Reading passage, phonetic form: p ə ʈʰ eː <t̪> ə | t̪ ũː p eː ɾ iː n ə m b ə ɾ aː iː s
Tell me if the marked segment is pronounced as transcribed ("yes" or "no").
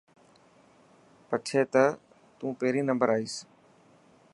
yes